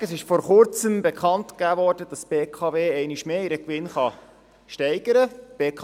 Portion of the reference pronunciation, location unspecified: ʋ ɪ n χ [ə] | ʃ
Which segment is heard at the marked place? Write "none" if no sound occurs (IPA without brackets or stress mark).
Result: ɑ